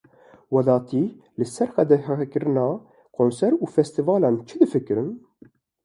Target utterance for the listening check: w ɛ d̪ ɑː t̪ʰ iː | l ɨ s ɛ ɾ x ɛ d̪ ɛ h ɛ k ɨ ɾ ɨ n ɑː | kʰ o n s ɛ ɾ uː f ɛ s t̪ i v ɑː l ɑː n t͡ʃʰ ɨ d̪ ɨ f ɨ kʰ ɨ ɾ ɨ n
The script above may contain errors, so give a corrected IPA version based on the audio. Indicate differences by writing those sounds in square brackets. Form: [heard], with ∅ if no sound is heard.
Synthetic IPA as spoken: w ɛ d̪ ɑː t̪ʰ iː | l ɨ s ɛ ɾ x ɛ d̪ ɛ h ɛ k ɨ ɾ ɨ n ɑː | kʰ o n s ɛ ɾ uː f ɛ s t̪ i v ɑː l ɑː n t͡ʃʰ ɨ d̪ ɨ f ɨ [k] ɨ ɾ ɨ n